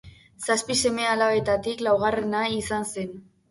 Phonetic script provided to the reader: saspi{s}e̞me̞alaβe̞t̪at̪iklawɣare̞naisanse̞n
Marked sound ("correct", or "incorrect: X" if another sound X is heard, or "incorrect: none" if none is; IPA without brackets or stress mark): correct